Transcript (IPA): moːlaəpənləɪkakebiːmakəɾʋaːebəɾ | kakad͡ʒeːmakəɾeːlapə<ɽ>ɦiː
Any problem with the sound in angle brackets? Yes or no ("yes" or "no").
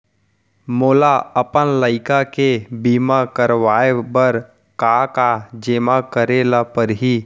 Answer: yes